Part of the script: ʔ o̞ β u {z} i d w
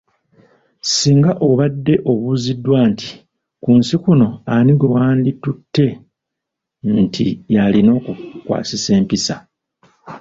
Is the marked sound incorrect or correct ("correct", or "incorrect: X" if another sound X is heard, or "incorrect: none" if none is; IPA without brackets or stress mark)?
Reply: correct